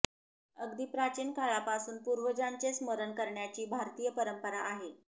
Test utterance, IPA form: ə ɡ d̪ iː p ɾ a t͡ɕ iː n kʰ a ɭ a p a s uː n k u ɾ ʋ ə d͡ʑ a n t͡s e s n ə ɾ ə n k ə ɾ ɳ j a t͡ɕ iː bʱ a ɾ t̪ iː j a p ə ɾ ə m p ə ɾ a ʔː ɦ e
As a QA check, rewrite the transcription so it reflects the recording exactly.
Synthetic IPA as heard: ə ɡ d̪ iː p ɾ a t͡ɕ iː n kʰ a ɭ a p a s uː n p u ɾ ʋ ə d͡ʑ a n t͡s e s m ə ɾ ə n k ə ɾ ɳ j a t͡ɕ iː bʱ a ɾ t̪ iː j ə p ə ɾ ə m p ə ɾ a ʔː ɦ e

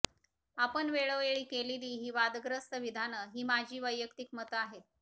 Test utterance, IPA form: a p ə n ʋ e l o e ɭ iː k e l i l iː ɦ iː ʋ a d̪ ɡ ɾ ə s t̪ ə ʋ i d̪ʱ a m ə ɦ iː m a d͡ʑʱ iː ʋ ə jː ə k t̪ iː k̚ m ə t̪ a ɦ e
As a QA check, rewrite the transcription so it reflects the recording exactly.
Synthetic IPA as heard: a p ə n ʋ e ɭ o e ɭ iː k e l i l iː ɦ iː ʋ a d̪ ɡ ɾ ə s t̪ ə ʋ i d̪ʱ a n ə ɦ iː m a d͡ʑʱ iː ʋ ə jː ə k t̪ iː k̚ m ə t̪ a ɦ e

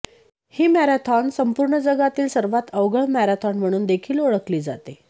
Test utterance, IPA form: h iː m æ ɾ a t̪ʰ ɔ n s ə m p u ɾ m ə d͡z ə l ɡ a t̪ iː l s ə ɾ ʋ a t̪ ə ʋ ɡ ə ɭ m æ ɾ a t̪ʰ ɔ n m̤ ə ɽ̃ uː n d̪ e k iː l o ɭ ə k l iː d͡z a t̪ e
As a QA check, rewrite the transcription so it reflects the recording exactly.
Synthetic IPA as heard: h iː m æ ɾ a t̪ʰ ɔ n s ə m p u ɾ ɳ ə d͡z ə ɡ a t̪ iː l s ə ɾ ʋ a t̪ ə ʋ ɡ ə ɭ m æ ɾ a t̪ʰ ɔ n m̤ ə ɽ̃ uː n d̪ e kʰ iː l o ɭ ə k l iː d͡z a t̪ e

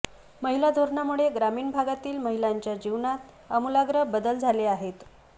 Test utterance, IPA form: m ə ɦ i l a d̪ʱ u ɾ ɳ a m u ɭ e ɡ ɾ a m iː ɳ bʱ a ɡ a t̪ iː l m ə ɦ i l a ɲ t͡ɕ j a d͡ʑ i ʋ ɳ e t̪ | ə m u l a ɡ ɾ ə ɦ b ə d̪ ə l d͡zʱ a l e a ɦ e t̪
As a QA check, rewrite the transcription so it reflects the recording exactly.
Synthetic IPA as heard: m ə ɦ i l a d̪ʱ o ɾ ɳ a m u ɭ e ɡ ɾ a m iː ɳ bʱ a ɡ a t̪ iː l m ə ɦ i l a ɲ t͡ɕ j a d͡ʑ i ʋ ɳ a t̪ | ə m u l a ɡ ɾ ə ɦ b ə d̪ ə l d͡zʱ a l e a ɦ e t̪

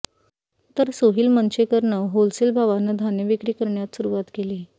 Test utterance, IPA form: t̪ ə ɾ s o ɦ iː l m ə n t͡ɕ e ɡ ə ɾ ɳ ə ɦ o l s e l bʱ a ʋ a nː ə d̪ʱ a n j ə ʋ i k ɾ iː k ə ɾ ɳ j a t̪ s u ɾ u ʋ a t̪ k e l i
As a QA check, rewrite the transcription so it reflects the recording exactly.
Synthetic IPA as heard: t̪ ə ɾ s o ɦ iː l m ə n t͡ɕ e k ə ɾ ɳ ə ɦ o l s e l bʱ a ʋ a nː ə d̪ʱ a n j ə ʋ i k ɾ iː k ə ɾ ɳ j a t̪ s u ɾ u ʋ a t̪ k e l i

